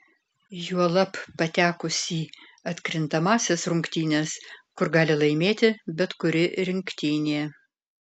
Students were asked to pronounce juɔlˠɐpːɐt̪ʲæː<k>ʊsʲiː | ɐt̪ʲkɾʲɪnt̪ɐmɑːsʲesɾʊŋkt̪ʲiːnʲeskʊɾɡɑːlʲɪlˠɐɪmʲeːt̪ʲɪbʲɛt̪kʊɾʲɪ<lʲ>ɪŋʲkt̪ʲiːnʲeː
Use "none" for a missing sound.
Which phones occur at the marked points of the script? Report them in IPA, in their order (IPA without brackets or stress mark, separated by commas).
k, ɾʲ